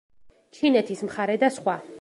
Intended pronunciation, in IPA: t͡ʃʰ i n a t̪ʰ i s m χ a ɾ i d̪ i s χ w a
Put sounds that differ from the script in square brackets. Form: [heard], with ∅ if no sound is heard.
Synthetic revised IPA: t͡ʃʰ i n [ɛ] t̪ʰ i s m χ a ɾ [ɛ] d̪ [a] s χ w a

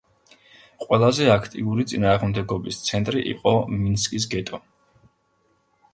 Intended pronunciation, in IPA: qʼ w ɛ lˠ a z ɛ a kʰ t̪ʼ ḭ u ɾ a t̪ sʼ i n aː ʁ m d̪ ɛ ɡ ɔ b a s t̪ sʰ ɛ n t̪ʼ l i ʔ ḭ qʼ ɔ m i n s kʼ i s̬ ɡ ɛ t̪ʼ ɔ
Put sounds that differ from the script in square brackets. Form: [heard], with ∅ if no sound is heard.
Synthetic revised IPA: qʼ w ɛ lˠ a z ɛ a kʰ t̪ʼ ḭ u ɾ [i] t̪ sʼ i n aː ʁ m d̪ ɛ ɡ ɔ b [i] s t̪ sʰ ɛ n t̪ʼ [ɾ] i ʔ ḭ qʼ ɔ m i n s kʼ i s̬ ɡ ɛ t̪ʼ ɔ

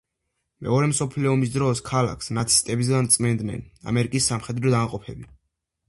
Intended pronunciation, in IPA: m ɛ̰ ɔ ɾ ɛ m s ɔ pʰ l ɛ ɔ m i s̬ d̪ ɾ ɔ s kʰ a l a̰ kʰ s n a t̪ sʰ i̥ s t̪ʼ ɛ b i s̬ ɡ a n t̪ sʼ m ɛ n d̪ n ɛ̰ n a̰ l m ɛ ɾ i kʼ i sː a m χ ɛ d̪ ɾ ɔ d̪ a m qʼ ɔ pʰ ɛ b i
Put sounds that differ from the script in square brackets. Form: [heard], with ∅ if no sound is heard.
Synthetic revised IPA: m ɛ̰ ɔ ɾ ɛ m s ɔ pʰ l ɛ ɔ m i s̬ d̪ ɾ ɔ s kʰ a l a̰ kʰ s n a t̪ sʰ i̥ s t̪ʼ ɛ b i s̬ ɡ a n t̪ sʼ m ɛ n d̪ n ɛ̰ n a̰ [∅] m ɛ ɾ i kʼ i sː a m χ ɛ d̪ ɾ ɔ d̪ a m qʼ ɔ pʰ ɛ b i

